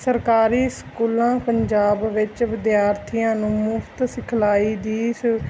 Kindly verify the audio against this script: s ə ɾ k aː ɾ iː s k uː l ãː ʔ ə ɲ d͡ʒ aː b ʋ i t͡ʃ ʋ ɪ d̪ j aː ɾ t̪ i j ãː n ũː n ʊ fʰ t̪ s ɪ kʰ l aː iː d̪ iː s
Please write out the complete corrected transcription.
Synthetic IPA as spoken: s ə ɾ k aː ɾ iː s k uː l ãː p ə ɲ d͡ʒ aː b ʋ ɪ t͡ʃ ʋ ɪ d̪ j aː ɾ t̪ʰ i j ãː n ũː m ʊ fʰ t̪ s ɪ kʰ l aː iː d̪ iː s